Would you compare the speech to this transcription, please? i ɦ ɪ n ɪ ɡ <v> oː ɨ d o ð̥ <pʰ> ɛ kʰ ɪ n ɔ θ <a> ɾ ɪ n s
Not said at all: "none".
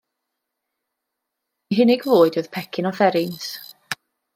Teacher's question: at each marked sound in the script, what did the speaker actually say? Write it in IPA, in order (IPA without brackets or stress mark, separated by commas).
v, pʰ, ɛ